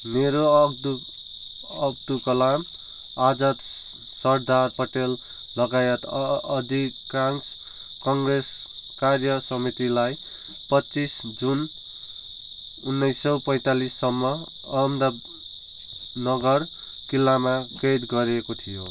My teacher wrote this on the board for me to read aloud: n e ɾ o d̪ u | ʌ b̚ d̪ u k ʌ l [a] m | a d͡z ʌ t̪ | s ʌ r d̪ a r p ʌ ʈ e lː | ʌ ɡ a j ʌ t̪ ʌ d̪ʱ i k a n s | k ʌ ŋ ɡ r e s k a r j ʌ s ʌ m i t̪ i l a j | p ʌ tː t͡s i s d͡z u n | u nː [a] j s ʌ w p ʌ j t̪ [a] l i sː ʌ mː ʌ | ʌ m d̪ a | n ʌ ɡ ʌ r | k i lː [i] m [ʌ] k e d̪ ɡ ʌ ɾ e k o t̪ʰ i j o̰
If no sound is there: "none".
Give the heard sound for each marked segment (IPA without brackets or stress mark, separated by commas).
a, ʌ, a, a, a